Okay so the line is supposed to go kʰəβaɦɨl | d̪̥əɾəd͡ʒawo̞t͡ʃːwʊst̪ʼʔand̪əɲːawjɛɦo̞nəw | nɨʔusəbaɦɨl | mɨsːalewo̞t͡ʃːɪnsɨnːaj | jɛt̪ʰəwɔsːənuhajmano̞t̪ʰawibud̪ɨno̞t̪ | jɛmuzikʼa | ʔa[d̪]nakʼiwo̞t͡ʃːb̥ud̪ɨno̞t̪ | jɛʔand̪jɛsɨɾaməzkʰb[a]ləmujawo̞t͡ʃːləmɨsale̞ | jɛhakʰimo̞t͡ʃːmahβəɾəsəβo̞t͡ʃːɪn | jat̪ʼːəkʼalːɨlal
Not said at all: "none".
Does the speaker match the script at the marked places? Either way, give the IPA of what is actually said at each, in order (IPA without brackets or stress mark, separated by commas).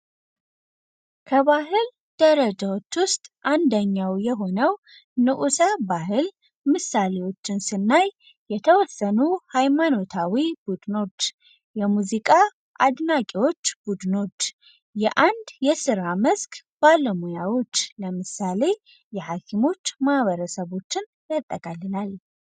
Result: d̪, a